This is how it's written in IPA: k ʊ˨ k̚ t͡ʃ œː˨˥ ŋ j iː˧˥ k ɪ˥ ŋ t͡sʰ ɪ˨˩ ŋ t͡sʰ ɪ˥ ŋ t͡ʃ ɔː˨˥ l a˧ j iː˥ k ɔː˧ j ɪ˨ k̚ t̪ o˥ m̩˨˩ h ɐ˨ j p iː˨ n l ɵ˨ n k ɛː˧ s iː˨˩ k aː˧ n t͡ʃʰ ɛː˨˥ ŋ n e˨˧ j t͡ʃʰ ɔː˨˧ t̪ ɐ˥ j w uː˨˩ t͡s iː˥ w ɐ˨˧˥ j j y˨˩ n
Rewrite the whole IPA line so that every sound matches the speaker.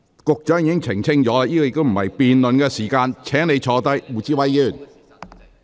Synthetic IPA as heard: k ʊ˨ k̚ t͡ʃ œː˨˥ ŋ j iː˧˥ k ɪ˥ ŋ t͡sʰ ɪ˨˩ ŋ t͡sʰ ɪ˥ ŋ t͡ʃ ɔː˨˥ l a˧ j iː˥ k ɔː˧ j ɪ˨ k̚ t̪ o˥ m̩˨˩ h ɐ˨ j p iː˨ n l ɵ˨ n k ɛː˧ s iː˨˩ k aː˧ n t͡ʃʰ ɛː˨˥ ŋ n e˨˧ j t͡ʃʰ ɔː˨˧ t̪ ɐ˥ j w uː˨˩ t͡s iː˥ w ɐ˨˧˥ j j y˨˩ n